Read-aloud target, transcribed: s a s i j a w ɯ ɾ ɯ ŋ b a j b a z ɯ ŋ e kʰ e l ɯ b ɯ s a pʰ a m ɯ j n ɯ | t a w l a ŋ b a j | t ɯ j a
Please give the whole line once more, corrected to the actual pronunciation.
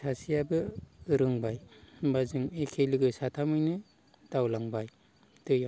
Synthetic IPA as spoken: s a s i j a b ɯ ɾ ɯ ŋ b a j b a z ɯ ŋ e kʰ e l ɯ ɡ ɯ s a tʰ a m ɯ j n ɯ | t a w l a ŋ b a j | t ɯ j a